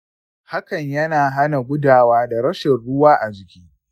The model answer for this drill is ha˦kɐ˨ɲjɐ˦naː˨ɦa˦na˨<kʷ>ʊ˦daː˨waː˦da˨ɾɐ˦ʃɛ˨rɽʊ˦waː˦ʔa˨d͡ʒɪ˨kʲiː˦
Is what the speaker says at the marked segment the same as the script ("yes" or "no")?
no